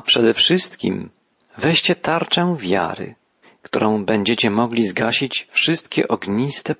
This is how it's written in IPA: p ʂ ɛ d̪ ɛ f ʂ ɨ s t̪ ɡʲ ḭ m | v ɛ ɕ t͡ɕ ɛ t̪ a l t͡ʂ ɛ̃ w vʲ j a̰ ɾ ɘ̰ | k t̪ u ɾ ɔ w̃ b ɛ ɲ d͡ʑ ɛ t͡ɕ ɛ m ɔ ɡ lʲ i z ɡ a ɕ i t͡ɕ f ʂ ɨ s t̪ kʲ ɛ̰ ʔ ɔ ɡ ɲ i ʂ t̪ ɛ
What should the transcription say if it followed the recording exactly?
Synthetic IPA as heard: p ʂ ɛ d̪ ɛ f ʂ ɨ s t̪ kʲ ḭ m | v ɛ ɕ t͡ɕ ɛ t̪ a ɾ t͡ʂ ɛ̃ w vʲ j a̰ ɾ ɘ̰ | k t̪ u ɾ ɔ̃ w̃ b ɛ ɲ d͡ʑ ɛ t͡ɕ ɛ m ɔ ɡ lʲ i z ɡ a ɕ i t͡ɕ f ʂ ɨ s t̪ kʲ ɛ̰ ʔ ɔ ɡ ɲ i s t̪ ɛ